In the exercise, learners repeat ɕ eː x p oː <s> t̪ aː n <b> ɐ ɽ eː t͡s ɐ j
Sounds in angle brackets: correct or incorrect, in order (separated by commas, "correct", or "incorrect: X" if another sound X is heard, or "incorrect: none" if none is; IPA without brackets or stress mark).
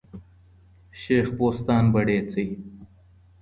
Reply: correct, correct